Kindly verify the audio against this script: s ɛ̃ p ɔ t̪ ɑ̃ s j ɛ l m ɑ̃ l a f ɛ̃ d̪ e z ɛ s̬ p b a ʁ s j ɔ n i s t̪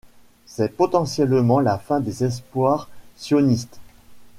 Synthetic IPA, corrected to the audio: s ɛ p ɔ t̪ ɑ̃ s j ɛ l m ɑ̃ l a f ɛ̃ d̪ e z ɛ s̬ p w a ʁ s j ɔ n i s t̪